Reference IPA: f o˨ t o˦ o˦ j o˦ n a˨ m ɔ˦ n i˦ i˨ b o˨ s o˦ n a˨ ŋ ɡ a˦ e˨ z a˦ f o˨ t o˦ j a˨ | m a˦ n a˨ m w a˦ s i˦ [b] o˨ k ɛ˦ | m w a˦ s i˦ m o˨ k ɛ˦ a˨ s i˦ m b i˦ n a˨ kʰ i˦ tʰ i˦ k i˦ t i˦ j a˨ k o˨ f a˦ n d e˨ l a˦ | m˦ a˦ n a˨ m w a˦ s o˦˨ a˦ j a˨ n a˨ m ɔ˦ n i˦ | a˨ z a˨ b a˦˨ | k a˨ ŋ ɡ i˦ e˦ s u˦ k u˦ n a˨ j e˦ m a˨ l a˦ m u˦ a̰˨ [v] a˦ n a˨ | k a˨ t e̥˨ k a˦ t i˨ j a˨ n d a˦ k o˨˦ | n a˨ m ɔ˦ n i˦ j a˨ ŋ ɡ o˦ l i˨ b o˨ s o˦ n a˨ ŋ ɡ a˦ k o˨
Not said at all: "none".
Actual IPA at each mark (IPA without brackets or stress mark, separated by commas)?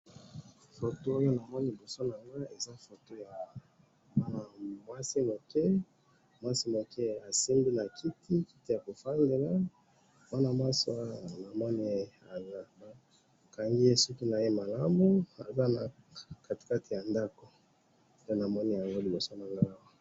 m, z